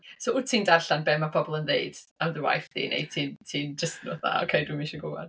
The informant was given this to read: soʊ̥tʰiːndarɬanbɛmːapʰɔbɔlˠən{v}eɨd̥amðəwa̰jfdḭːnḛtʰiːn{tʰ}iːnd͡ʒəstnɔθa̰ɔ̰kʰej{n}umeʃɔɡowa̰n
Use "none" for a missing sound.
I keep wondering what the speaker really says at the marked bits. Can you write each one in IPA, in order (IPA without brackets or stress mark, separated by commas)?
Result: ð, tʰ, d